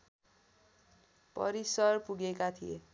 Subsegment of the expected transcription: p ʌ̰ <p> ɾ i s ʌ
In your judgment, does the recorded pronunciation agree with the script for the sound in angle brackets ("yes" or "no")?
no